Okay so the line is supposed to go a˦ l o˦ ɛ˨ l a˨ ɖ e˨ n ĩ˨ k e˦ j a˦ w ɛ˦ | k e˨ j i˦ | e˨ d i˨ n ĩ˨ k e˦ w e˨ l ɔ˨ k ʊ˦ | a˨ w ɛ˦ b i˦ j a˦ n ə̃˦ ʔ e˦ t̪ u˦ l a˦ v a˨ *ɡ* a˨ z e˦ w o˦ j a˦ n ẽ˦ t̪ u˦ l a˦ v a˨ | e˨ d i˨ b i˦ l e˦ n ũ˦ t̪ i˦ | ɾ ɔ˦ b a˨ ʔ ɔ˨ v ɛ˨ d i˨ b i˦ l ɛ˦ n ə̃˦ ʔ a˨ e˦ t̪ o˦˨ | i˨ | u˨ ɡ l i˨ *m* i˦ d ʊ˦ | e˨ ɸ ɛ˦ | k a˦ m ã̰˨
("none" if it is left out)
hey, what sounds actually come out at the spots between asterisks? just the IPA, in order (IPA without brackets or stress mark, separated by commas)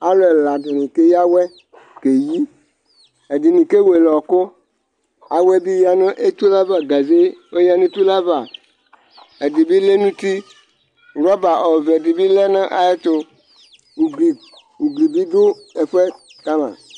ɡ, b